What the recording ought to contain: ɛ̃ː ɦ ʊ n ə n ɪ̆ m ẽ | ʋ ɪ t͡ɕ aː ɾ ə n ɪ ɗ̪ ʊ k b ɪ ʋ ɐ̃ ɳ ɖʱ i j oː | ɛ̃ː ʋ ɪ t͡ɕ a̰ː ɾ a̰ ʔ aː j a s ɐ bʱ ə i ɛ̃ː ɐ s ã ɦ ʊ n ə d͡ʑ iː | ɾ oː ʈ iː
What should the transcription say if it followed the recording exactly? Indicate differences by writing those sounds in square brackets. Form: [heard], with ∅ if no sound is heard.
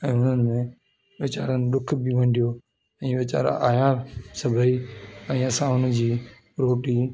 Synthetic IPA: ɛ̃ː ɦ ʊ n ə n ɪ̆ m ẽ | ʋ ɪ t͡ɕ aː ɾ ə n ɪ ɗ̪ ʊ [kʰ] b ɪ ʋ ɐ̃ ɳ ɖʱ i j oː | ɛ̃ː ʋ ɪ t͡ɕ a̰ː ɾ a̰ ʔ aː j a s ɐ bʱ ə i ɛ̃ː ɐ s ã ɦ ʊ n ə d͡ʑ iː | ɾ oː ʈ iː